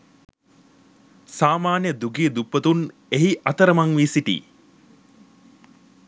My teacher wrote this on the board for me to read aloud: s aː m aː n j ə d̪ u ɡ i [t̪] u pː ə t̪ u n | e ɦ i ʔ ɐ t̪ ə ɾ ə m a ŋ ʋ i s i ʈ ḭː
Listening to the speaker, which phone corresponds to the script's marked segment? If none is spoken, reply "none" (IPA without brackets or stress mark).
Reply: d̪